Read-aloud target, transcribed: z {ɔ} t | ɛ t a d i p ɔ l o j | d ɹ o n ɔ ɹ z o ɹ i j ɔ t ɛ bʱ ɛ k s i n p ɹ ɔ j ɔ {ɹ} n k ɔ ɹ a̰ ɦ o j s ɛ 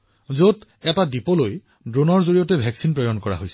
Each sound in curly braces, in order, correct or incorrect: incorrect, incorrect

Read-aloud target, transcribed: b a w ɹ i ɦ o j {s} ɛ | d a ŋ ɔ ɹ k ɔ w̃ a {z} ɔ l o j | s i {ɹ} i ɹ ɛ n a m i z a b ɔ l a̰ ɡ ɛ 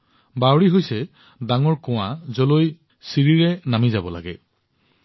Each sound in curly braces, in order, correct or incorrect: correct, correct, correct

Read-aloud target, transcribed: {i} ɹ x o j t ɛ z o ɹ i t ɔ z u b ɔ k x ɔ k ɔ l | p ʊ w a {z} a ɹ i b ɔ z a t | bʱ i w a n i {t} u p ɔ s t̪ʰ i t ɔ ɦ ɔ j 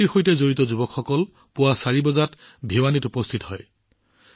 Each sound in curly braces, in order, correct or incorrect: correct, incorrect, correct

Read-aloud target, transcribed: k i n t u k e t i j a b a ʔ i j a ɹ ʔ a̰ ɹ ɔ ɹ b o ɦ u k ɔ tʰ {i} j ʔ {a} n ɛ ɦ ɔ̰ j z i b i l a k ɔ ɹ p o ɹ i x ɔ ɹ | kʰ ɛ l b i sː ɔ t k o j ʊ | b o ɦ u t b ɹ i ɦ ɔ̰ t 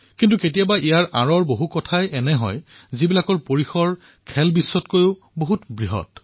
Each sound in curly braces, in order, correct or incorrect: incorrect, incorrect

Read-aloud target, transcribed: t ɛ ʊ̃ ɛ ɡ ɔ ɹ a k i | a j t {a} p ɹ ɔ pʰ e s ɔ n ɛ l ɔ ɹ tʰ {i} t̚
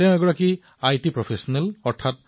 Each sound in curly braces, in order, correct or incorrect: incorrect, incorrect

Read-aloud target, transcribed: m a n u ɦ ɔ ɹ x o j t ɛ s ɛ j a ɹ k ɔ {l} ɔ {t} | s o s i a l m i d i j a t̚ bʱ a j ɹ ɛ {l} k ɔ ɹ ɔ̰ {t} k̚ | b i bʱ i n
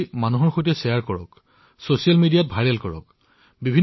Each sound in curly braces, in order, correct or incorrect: incorrect, incorrect, correct, incorrect

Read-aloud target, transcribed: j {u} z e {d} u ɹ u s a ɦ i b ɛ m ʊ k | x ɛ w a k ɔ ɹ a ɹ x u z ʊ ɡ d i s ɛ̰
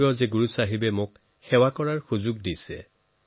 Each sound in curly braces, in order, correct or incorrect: incorrect, incorrect

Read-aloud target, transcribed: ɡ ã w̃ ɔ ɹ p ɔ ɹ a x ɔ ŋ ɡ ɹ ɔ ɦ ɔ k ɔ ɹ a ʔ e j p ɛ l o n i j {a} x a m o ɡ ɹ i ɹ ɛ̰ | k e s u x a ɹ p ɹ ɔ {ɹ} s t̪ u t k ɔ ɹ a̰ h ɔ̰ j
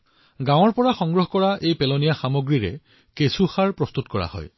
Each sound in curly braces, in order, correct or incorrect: correct, incorrect

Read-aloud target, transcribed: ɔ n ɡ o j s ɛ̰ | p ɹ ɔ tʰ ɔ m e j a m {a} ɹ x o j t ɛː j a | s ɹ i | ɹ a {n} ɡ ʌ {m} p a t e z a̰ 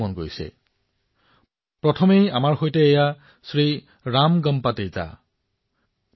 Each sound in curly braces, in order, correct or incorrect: correct, incorrect, correct

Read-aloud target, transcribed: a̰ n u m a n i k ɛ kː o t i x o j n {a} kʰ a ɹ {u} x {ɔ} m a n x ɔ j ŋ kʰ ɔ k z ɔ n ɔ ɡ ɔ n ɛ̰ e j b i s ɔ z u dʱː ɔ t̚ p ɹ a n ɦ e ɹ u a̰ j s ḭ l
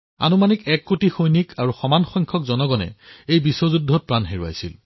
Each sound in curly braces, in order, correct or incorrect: incorrect, correct, correct

